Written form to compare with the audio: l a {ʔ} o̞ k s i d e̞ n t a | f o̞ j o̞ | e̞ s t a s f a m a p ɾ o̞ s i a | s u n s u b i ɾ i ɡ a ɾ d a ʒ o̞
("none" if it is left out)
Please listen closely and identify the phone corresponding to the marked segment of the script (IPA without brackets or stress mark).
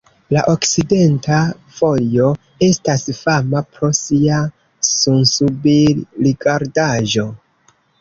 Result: ʔ